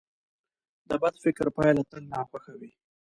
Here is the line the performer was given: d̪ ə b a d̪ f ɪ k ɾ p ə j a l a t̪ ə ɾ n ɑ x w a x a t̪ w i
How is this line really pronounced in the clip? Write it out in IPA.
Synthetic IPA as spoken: d̪ ə b a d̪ f ɪ k ɾ p ɑ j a l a t̪ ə l n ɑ x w a x a w i